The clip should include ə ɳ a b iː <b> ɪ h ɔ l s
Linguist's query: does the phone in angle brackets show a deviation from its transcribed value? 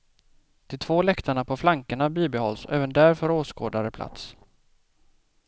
no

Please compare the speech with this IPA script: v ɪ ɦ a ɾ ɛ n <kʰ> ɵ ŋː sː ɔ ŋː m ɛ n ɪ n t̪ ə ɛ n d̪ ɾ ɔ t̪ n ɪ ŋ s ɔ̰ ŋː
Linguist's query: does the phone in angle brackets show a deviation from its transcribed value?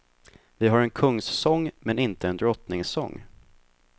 no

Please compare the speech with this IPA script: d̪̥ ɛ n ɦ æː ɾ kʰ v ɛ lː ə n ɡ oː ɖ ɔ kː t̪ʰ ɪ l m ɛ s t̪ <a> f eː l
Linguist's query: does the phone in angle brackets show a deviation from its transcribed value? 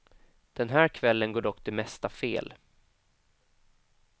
no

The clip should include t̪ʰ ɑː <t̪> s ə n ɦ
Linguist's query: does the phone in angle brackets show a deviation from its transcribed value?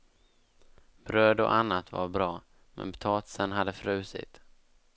no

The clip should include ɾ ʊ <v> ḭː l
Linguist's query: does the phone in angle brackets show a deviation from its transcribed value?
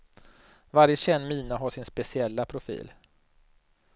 yes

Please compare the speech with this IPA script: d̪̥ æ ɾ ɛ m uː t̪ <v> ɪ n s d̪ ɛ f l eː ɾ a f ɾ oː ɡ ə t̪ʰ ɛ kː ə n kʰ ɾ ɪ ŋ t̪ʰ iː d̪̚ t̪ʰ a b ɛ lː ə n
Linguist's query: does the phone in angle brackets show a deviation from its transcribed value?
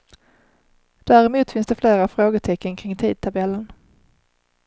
yes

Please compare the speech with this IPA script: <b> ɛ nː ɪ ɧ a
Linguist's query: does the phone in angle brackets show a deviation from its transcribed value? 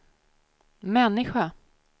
yes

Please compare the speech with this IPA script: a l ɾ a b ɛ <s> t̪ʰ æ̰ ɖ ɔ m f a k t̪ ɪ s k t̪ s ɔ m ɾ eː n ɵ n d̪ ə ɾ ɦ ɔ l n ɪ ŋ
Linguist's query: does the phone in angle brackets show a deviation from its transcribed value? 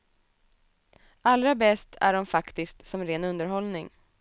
no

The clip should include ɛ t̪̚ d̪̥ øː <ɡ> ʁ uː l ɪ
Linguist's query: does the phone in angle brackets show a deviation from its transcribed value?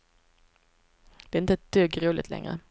no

